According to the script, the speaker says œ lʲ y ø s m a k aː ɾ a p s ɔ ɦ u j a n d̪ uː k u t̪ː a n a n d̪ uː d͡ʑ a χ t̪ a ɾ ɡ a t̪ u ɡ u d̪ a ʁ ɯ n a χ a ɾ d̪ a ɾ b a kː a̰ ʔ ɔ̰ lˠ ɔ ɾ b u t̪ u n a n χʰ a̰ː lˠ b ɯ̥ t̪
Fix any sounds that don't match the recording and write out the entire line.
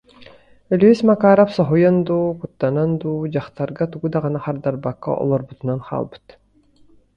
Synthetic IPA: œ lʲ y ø s m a k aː ɾ a p s ɔ ɦ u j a n d̪ uː k u t̪ː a n a n d̪ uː d͡ʑ a χ t̪ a ɾ ɡ a t̪ u ɡ u d̪ a ʁ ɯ n a χ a ɾ d̪ a ɾ b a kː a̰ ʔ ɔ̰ lˠ ɔ ɾ b u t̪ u n a n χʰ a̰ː lˠ b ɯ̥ t̪